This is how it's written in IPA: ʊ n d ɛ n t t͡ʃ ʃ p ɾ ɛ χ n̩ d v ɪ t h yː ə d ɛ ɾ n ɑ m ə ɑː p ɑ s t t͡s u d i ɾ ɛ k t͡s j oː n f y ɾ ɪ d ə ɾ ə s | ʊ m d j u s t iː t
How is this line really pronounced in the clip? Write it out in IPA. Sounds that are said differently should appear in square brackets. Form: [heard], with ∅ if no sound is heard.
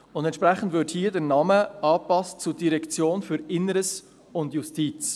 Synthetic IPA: ʊ n d ɛ n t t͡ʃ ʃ p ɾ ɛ χ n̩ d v ɪ t h [iː] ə d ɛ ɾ n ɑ m ə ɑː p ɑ s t t͡s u d i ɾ ɛ k t͡s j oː n f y ɾ ɪ [n] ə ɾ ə s | ʊ [n] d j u s t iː [t͡s]